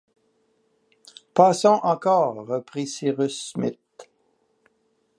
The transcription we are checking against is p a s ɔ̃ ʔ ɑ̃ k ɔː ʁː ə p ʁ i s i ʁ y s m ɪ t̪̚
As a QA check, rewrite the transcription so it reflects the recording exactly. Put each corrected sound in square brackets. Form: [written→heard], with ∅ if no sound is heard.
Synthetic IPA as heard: p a s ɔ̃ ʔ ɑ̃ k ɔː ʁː ə p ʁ i s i ʁ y s m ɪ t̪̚